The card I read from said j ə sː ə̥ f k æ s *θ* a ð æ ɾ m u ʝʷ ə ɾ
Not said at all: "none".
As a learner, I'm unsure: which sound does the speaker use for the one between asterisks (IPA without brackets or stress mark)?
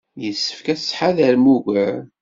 ħ